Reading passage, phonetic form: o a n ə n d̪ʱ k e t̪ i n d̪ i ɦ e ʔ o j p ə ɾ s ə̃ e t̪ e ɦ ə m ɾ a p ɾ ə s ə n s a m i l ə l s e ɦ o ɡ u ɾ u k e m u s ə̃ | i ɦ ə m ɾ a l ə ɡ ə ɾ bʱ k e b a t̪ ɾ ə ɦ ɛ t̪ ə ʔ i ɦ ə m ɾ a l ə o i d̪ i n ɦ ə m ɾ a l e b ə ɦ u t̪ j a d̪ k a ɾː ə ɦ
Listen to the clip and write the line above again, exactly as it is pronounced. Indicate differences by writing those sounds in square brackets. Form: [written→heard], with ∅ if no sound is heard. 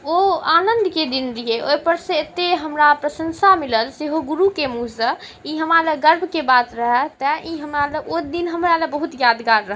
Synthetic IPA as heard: o a n ə n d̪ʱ k e [t̪→d̪] i n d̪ i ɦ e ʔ o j p ə ɾ s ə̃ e t̪ e ɦ ə m ɾ a p ɾ ə s ə n s a m i l ə l s e ɦ o ɡ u ɾ u k e m u s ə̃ | i ɦ ə m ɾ a l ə ɡ ə ɾ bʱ k e b a t̪ ɾ ə ɦ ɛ t̪ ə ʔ i ɦ ə m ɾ a l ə o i d̪ i n ɦ ə m ɾ a l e b ə ɦ u t̪ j a d̪ [k→ɡ] a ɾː ə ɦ